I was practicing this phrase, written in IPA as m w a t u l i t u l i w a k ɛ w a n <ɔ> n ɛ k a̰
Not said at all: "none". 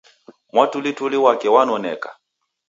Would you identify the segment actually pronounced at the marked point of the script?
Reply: ɔ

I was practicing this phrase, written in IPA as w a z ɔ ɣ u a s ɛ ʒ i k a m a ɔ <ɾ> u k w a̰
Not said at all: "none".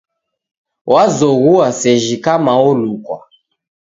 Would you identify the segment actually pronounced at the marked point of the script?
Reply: l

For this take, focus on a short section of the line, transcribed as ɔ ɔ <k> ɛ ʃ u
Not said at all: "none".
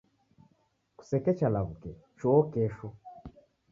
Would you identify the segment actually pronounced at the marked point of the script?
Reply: k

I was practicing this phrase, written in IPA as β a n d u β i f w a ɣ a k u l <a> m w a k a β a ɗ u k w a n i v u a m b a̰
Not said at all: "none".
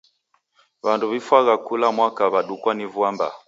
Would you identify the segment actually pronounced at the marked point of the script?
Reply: a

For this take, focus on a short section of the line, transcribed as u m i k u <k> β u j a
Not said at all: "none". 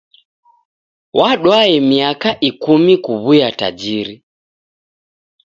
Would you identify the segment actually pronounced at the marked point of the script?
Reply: none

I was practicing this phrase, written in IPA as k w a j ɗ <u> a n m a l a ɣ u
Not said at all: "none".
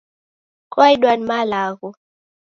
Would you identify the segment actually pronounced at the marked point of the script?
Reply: w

